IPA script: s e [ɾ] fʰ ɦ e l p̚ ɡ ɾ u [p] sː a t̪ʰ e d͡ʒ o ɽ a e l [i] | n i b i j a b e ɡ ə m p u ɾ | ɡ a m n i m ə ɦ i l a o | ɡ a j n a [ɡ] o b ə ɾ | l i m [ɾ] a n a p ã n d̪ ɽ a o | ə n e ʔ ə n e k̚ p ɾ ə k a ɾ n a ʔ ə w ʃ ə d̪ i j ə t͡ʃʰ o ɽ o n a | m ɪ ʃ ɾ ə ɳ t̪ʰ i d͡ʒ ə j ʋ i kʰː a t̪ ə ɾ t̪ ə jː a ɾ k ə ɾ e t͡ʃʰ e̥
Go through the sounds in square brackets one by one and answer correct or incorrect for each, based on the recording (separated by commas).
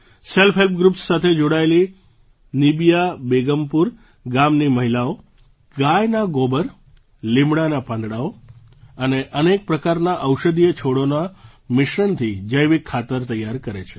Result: incorrect, correct, correct, correct, incorrect